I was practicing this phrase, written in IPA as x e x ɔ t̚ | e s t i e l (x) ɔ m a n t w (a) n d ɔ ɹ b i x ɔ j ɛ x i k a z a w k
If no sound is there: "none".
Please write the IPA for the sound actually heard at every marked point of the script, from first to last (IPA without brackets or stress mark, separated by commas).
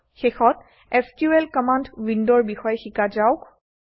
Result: k, i